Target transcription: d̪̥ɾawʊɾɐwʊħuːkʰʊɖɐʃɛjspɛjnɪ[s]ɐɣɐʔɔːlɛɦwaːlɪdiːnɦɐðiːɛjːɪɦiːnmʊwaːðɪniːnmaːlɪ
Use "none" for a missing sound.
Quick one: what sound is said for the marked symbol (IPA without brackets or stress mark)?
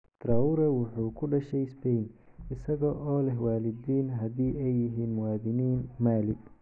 s